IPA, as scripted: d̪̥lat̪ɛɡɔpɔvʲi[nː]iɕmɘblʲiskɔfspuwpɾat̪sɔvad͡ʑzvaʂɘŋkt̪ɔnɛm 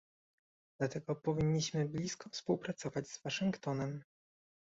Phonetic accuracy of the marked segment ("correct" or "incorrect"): incorrect